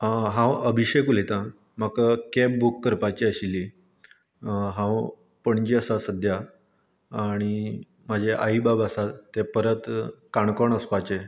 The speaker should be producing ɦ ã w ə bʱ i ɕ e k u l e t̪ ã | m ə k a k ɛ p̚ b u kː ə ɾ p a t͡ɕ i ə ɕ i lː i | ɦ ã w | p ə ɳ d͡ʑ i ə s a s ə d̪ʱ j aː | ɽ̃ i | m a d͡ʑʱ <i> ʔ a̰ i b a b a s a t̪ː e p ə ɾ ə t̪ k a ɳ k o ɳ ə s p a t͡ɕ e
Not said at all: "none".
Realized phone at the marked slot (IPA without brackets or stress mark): e